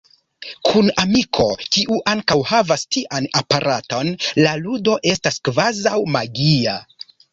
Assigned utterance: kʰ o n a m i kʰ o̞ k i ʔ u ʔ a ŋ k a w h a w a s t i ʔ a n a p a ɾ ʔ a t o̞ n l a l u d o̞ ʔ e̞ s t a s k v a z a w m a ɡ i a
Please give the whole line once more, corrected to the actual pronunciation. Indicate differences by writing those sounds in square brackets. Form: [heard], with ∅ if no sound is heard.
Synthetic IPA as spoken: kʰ [u] n a m i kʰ o̞ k i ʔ u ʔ a ŋ k a w h a [v] a s t i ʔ a n a p a ɾ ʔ a t o̞ n l a l u d o̞ ʔ e̞ s t a s k v a z a w m a ɡ i a